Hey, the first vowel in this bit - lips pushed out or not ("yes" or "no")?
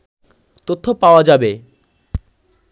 yes